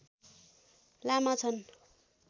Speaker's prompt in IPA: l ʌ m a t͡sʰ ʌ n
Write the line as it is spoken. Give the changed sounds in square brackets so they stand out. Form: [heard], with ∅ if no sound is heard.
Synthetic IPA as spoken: l [a] m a t͡sʰ ʌ n